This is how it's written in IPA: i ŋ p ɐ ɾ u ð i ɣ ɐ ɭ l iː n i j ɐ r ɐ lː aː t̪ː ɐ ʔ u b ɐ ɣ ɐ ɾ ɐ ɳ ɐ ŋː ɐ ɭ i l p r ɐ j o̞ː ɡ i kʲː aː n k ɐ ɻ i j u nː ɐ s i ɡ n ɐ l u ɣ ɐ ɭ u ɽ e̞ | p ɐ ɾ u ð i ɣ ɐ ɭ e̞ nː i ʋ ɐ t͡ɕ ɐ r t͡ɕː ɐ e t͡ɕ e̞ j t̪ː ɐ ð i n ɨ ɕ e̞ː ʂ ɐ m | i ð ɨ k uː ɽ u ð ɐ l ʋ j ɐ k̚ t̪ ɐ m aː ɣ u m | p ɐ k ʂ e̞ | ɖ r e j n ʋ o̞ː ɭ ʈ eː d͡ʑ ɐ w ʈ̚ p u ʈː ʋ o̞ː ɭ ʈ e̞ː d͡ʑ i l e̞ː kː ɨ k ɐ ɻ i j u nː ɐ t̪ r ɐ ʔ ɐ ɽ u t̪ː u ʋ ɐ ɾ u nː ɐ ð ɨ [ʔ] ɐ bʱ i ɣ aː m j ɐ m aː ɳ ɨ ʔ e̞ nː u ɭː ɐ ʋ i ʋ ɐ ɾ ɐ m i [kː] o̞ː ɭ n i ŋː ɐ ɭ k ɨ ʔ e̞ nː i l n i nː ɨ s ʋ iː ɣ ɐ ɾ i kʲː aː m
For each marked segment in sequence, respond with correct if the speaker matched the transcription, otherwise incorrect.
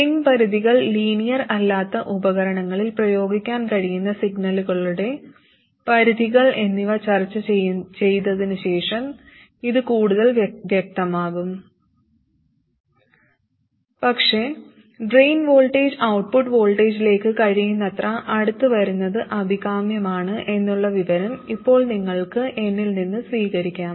correct, incorrect: pː

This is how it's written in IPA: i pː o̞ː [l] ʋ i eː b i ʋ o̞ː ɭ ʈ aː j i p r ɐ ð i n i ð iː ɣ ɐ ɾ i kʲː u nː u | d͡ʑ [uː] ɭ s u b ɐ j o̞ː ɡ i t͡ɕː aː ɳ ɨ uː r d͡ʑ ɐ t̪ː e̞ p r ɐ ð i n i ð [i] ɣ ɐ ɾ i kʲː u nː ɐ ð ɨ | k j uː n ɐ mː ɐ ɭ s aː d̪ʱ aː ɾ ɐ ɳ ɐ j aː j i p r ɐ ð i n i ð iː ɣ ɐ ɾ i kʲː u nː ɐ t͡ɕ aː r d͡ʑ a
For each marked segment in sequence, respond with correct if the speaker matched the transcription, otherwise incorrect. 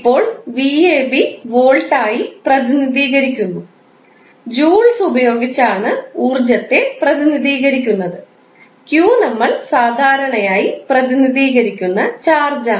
incorrect: ɭ, correct, incorrect: iː

